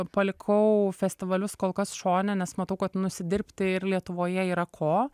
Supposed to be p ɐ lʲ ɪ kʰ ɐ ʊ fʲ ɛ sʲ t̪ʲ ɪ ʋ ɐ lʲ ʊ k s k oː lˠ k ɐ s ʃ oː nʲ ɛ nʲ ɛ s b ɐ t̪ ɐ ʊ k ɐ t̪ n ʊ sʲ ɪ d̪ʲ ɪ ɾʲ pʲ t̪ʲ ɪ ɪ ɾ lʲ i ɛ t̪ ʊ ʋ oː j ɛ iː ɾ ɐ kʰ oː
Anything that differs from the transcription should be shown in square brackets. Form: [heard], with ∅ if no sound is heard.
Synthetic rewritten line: p ɐ lʲ ɪ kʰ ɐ ʊ fʲ ɛ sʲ t̪ʲ ɪ ʋ ɐ lʲ ʊ [∅] s k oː lˠ k ɐ s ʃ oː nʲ ɛ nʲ ɛ s [m] ɐ t̪ ɐ ʊ k ɐ t̪ n ʊ sʲ ɪ d̪ʲ ɪ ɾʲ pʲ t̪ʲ ɪ ɪ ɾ lʲ i ɛ t̪ ʊ ʋ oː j ɛ iː ɾ ɐ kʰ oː